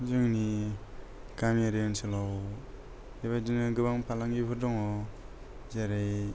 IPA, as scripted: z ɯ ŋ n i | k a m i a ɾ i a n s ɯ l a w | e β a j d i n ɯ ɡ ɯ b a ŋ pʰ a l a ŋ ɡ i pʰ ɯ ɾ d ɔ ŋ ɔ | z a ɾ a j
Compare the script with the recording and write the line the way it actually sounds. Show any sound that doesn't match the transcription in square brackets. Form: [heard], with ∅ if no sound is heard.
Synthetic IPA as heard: z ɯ ŋ n i | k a m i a ɾ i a n s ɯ l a w | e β a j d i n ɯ ɡ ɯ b a ŋ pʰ a l a ŋ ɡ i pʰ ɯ ɾ d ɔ ŋ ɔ | z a ɾ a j